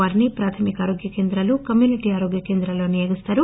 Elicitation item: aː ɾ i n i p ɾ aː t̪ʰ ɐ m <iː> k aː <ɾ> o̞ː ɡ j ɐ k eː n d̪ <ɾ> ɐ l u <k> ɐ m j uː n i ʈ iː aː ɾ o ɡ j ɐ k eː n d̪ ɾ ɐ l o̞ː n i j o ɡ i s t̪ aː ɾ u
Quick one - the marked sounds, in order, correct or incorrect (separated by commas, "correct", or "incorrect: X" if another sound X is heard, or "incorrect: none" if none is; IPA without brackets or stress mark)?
incorrect: i, correct, correct, correct